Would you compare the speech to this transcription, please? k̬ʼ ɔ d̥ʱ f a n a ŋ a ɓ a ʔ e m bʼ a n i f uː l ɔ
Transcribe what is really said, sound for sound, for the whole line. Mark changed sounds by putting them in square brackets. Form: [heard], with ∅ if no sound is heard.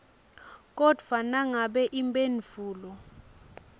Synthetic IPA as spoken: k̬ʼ ɔ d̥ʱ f a n a ŋ a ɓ [ɛ] ʔ [i] m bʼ [e] n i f uː l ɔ

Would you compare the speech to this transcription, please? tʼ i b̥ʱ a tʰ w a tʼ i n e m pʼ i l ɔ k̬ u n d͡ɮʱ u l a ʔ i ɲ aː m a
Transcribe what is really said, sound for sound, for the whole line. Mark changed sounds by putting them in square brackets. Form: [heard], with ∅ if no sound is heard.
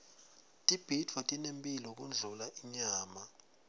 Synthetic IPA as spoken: tʼ i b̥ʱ [i] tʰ w a tʼ i n e m pʼ i l ɔ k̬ u n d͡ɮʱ u l a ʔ i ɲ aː m a

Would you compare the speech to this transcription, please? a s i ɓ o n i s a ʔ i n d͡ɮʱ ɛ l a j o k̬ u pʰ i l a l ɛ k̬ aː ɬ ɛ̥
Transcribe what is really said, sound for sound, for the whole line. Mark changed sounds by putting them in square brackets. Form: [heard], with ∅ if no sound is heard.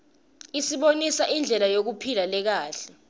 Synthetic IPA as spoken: [i] s i ɓ o n i s a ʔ i n d͡ɮʱ ɛ l a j o k̬ u pʰ i l a l ɛ k̬ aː ɬ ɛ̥

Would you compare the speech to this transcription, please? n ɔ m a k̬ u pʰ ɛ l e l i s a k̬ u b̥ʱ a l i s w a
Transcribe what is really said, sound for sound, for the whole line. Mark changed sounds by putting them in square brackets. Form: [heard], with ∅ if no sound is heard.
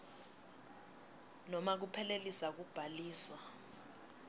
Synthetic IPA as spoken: n ɔ m a k̬ u pʰ ɛ l e l i s a k̬ u b̥ʱ a l [iː] s w a

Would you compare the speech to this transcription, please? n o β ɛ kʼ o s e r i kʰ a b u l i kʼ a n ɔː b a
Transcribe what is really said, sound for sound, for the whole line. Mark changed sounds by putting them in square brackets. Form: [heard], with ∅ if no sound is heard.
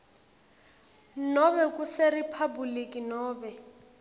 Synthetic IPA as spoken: n [ɔ] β ɛ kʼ [u] s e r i [pʰ] a b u l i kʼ [i] n ɔː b [ɛ]

